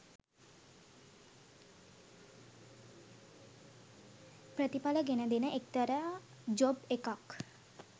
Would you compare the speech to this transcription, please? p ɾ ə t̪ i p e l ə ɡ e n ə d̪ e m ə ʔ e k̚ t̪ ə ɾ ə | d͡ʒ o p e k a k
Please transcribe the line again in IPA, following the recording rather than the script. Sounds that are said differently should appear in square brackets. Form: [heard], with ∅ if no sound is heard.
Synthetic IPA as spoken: p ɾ ə t̪ i p [a] l ə ɡ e n ə d̪ e [n] ə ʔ e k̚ t̪ ə ɾ ə | d͡ʒ o [b] e k a k